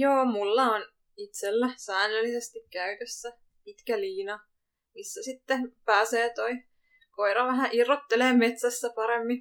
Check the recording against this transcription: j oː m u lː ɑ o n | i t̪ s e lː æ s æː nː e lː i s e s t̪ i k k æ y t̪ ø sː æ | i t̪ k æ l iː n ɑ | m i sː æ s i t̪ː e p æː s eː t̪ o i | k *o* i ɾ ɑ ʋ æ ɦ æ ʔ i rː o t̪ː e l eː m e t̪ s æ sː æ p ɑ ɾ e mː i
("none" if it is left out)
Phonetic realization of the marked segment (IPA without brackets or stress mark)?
o